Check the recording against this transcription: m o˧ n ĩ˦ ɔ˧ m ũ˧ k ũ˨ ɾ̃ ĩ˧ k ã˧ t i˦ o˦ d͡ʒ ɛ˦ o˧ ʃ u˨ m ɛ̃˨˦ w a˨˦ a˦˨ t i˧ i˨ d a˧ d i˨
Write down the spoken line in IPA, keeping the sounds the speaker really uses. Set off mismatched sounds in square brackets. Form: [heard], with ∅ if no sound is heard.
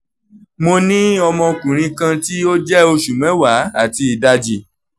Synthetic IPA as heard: m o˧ n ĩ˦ ɔ˧ m [ɔ̃˧] k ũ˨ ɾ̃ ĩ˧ k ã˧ t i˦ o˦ d͡ʒ ɛ˦ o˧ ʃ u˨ m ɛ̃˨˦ w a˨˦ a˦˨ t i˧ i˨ d a˧ [d͡ʒ] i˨